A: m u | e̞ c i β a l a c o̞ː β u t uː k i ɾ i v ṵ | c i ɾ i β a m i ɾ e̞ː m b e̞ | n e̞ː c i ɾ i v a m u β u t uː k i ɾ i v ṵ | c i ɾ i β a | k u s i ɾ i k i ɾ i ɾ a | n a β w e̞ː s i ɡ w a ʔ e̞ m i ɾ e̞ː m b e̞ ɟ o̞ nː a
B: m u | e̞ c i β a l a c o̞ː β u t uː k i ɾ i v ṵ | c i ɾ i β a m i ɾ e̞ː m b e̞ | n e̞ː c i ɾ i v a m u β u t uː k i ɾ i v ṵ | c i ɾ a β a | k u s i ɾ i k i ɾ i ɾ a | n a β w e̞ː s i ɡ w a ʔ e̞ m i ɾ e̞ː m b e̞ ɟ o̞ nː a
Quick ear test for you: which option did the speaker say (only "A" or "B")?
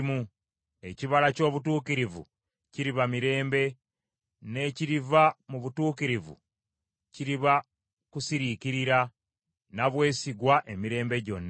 A